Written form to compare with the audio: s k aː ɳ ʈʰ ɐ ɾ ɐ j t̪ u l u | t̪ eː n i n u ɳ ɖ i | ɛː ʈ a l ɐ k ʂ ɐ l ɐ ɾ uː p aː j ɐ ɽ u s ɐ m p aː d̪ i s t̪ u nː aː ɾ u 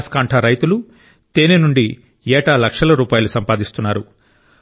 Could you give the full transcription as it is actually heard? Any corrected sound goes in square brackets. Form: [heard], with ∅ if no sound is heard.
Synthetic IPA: s k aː ɳ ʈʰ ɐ ɾ ɐ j t̪ u l u | t̪ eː n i n u ɳ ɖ i | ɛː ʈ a l ɐ k ʂ ɐ l ɐ ɾ uː p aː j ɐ [l] u s ɐ m p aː d̪ i s t̪ u nː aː ɾ u